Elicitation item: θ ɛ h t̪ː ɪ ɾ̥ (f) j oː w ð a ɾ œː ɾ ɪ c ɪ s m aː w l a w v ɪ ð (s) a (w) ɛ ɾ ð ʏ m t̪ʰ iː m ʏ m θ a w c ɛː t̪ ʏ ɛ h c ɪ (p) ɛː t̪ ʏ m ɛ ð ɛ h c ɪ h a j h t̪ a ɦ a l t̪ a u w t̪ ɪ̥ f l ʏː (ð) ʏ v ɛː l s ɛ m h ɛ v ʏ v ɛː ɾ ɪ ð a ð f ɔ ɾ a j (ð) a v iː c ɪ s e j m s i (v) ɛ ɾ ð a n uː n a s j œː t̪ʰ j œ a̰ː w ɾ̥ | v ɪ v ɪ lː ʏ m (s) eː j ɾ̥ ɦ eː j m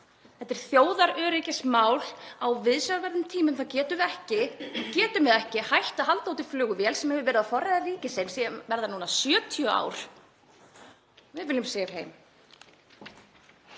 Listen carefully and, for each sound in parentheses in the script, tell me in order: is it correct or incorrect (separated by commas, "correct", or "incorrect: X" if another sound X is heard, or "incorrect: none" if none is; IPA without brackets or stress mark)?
incorrect: θ, correct, incorrect: v, incorrect: c, incorrect: ɣ, correct, correct, correct